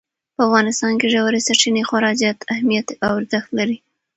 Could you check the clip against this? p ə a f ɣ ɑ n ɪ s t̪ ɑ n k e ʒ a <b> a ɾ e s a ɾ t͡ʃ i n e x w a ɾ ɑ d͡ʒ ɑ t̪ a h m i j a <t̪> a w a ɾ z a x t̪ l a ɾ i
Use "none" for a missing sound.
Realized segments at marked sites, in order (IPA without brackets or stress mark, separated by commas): w, t̪